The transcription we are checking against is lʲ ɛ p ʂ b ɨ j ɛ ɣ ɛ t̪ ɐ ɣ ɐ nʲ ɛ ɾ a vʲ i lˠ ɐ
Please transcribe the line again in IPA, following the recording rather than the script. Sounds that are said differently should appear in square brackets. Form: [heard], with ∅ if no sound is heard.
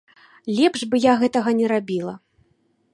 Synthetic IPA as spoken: lʲ ɛ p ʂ b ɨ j [a] ɣ ɛ t̪ ɐ ɣ ɐ nʲ ɛ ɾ a [bʲ] i lˠ ɐ